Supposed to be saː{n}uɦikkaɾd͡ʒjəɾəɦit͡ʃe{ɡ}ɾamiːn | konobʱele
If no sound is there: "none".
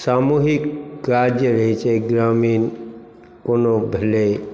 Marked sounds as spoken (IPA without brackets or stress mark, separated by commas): m, ɡ